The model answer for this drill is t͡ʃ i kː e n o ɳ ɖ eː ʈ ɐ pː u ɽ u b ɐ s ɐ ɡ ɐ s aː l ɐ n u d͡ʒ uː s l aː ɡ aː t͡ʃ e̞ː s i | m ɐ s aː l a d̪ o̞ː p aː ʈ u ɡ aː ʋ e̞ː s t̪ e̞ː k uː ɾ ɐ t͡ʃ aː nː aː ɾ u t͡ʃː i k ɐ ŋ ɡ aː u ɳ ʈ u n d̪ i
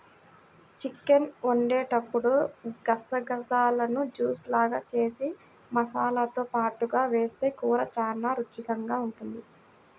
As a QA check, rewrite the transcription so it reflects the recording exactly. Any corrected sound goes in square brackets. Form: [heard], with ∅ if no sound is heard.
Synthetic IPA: t͡ʃ i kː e n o ɳ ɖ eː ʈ ɐ pː u ɽ u [ɡ] ɐ s ɐ ɡ ɐ s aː l ɐ n u d͡ʒ uː s l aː ɡ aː t͡ʃ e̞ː s i | m ɐ s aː l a [t̪] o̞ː p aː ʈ u ɡ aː ʋ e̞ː s t̪ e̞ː k uː ɾ ɐ t͡ʃ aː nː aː ɾ u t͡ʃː i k ɐ ŋ ɡ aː u ɳ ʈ u n d̪ i